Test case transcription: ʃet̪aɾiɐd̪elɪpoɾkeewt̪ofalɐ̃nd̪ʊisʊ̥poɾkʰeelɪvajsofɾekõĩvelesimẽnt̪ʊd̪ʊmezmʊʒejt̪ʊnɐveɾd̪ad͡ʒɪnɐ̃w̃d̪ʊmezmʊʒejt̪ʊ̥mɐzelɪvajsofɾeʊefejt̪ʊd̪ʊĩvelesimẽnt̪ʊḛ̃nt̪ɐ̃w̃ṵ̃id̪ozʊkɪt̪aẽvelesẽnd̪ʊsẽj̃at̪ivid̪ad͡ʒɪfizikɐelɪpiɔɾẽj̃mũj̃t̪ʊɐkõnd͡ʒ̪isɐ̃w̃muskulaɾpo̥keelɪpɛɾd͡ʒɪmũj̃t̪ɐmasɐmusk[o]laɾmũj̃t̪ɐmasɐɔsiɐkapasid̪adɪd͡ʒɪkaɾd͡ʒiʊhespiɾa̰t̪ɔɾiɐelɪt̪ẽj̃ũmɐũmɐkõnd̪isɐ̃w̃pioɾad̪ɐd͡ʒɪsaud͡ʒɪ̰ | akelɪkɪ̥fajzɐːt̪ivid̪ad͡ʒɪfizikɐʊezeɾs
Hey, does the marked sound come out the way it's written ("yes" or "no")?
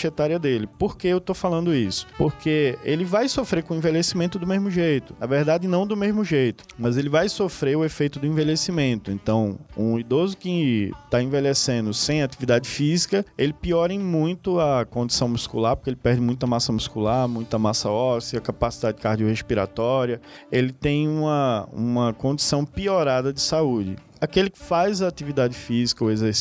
no